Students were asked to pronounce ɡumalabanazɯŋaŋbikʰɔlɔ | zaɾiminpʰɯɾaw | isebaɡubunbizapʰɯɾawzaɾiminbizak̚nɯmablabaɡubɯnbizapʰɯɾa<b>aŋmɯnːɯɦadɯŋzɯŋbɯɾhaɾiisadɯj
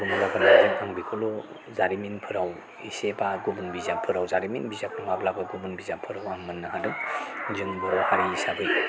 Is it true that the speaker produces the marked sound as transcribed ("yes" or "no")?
no